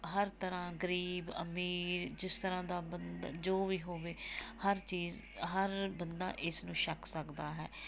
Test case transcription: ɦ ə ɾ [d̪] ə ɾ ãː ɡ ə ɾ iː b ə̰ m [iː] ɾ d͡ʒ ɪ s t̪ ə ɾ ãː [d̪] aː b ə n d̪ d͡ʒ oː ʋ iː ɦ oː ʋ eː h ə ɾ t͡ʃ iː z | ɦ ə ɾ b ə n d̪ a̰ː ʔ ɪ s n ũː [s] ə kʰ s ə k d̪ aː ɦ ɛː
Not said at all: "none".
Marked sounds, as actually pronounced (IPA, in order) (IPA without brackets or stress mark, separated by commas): t̪, iː, d̪, ʃ